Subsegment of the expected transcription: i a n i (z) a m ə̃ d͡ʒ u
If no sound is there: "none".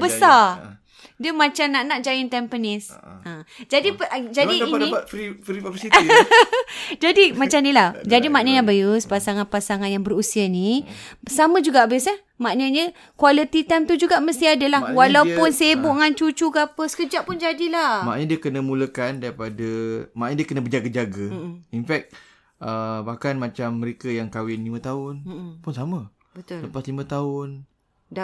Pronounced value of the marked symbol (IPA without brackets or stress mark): s